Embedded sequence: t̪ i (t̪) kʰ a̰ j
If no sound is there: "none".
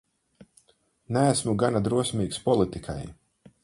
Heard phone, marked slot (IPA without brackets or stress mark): none